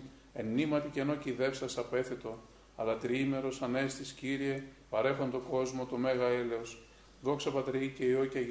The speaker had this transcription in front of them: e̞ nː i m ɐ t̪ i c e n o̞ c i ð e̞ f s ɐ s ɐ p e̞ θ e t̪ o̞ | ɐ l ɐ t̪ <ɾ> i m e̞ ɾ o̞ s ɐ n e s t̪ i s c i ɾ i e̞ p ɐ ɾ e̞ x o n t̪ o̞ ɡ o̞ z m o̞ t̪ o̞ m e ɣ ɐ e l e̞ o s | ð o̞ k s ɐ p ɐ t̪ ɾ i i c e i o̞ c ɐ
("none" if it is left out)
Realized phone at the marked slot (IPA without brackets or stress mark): ɾ